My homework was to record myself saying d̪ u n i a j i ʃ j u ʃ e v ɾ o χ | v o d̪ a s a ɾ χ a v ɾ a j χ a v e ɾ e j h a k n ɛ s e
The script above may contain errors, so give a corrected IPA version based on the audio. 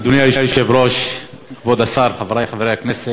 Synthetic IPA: d̪ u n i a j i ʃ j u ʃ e v ɾ o ʃ | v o d̪ a s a ɾ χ a v ɾ a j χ a v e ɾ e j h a k n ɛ s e

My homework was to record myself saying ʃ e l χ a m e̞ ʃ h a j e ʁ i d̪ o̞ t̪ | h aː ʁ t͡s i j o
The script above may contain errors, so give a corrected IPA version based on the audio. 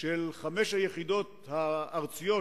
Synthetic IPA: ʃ e l χ a m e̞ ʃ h a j e χ i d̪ o̞ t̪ | h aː ʁ t͡s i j o

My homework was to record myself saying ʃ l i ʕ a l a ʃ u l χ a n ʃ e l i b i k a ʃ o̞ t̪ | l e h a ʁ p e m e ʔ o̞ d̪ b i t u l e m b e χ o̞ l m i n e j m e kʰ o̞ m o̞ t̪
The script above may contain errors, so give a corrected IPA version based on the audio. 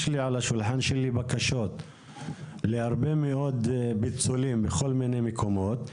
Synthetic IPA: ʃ l i ʕ a l a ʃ u l ħ a n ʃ e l i b a k a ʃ o̞ t̪ | l e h a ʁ b e m e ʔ o̞ d̪ b i t͡s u l i m b e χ o̞ l m i n e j m e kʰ o̞ m o̞ t̪

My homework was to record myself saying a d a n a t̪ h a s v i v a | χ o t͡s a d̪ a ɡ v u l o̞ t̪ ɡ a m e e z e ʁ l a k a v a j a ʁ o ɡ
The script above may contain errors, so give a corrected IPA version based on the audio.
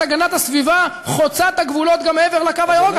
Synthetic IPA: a ɡ a n a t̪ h a s v i v a | χ o t͡s a t̪ a ɡ v u l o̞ t̪ ɡ a m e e v e ʁ l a k a v a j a ʁ o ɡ

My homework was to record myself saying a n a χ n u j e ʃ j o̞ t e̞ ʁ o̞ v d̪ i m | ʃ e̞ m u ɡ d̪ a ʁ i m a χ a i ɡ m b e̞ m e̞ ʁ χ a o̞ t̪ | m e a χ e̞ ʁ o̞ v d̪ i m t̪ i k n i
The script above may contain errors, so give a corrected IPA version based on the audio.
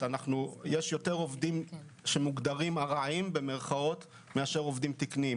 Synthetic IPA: a n a χ n u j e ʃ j o̞ t e̞ ʁ o̞ v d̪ i m | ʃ e̞ m u ɡ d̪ a ʁ i m a ʁ a i m b e̞ m e̞ ʁ χ a o̞ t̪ | m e a ʃ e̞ ʁ o̞ v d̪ i m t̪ i k n i

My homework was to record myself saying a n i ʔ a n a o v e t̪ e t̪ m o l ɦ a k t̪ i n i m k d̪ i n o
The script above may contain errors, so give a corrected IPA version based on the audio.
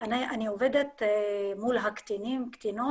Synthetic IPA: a n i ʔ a n i o v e d̪ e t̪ m u l ɦ a k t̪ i n i m k t̪ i n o

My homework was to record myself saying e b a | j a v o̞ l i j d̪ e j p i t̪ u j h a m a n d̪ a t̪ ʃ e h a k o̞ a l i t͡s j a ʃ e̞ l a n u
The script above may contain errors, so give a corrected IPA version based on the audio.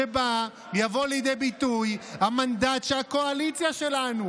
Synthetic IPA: e b a | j a v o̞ l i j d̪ e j b i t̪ u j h a m a n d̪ a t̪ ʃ e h a k o̞ a l i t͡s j a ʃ e̞ l a n u

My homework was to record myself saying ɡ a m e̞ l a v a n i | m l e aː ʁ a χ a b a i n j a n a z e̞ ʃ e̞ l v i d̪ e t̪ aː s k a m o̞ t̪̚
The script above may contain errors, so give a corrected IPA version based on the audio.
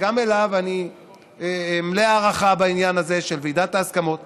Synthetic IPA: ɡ a m e̞ l a v a n i | m l e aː ʁ a χ a b a i n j a n a z e̞ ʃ e̞ l v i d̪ a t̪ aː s k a m o̞ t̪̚

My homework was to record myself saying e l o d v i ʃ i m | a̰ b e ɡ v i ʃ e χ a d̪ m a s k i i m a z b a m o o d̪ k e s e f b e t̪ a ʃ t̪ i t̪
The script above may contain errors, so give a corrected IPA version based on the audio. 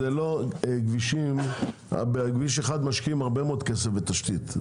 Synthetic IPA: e l o ɡ v i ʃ i m | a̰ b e ɡ v i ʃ e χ a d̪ m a ʃ k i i m a ʁ b e m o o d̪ k e s e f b e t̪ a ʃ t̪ i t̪

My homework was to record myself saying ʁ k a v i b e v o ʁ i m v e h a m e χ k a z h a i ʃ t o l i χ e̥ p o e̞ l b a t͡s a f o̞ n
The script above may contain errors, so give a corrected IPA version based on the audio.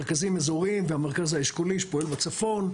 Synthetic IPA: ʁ k a z i m e z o ʁ i m v e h a m e ʁ k a z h a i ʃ k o l i ʃ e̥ p o e̞ l b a t͡s a f o̞ n

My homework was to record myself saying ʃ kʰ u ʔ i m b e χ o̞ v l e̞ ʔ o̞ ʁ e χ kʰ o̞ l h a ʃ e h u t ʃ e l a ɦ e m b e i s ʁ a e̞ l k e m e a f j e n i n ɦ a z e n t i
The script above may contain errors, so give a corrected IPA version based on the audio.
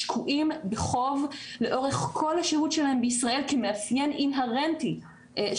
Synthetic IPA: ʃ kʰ u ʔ i m b e χ o̞ v l e̞ ʔ o̞ ʁ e χ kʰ o̞ l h a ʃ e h u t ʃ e l a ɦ e m b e i s ʁ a e̞ l k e m e a f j e n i n ɦ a ʁ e n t i

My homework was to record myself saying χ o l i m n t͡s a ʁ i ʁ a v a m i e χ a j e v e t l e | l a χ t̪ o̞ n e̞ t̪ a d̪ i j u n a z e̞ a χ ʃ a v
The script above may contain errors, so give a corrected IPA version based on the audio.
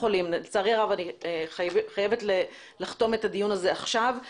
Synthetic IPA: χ o l i m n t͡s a ʁ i ʁ a v a n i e χ a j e v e t l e | l a χ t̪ o̞ m e̞ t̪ a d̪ i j u n a z e̞ a χ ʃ a v

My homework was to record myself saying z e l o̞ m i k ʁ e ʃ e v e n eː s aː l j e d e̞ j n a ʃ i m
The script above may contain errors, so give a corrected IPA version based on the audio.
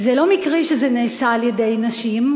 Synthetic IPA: z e l o̞ m i k ʁ i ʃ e z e n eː s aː l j e d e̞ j n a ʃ i m

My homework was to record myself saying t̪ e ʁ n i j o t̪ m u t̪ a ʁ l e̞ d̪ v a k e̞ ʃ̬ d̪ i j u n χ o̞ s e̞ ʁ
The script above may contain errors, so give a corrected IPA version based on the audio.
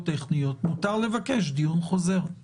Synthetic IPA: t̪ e χ n i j o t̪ m u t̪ a ʁ l e̞ v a k e̞ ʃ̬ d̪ i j u n χ o̞ z e̞ ʁ

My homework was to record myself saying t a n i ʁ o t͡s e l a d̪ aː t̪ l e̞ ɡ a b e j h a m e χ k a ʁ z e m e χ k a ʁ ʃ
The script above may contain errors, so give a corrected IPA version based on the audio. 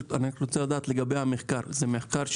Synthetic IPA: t a n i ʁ o t͡s e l a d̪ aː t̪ l e̞ ɡ a b e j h a m e χ k a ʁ z e m e χ k a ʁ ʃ

